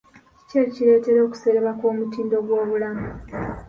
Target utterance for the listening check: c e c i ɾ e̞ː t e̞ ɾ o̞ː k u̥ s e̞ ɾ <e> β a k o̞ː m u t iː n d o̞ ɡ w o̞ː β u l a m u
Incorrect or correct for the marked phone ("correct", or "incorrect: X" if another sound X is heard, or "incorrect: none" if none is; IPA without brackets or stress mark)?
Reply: correct